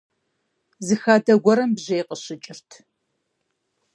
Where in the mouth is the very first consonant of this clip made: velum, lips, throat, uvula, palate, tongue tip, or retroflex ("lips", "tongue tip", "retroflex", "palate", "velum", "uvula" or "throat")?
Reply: tongue tip